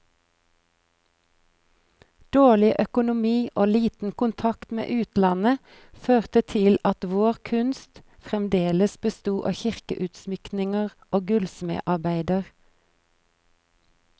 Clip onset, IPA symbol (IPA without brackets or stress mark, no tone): d̪̥